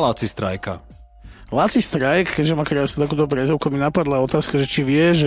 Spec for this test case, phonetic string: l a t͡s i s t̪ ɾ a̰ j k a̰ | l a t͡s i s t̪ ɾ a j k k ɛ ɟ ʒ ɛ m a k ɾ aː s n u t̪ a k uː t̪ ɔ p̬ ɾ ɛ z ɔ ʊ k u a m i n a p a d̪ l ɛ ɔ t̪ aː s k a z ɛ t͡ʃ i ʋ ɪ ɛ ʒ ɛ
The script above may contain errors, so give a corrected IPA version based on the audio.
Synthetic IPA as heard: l a t͡s i s t̪ ɾ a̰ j k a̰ | l a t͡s i s t̪ ɾ a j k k ɛ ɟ ʒ ɛ m a k ɾ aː s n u t̪ a k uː t̪ ɔ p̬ ɾ ɛ z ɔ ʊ k u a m i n a p a d̪ l a ɔ t̪ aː s k a ʒ ɛ t͡ʃ i ʋ ɪ ɛ ʒ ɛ